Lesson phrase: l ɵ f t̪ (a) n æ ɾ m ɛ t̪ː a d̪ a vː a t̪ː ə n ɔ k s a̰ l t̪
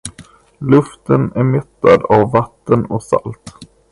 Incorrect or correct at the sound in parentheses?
incorrect: ə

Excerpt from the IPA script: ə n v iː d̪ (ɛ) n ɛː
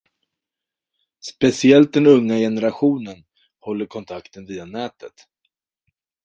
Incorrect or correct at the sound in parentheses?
incorrect: a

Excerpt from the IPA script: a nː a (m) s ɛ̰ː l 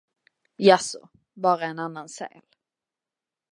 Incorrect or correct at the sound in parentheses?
incorrect: n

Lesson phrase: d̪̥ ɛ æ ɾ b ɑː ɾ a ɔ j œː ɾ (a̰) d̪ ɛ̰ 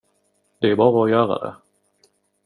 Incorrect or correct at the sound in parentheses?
correct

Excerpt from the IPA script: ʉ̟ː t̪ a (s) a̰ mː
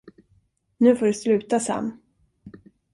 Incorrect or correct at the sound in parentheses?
correct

